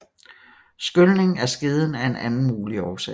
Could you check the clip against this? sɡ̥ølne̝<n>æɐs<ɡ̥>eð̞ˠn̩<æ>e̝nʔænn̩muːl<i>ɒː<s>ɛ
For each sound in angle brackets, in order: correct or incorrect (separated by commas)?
incorrect, correct, correct, correct, correct